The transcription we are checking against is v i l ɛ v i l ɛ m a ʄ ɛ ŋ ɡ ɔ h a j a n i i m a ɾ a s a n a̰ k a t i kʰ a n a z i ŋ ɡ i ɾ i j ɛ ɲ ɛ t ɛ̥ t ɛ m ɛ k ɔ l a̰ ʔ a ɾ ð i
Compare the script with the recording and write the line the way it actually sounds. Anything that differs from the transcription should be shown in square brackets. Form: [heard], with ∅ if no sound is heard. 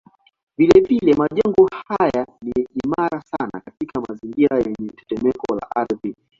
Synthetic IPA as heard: v i l ɛ v i l ɛ m a ʄ ɛ ŋ ɡ ɔ h a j a n i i m a ɾ a s a n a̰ k a t i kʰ a [m] a z i ŋ ɡ i ɾ [a] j ɛ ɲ ɛ t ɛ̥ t ɛ m ɛ k ɔ l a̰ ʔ a ɾ ð i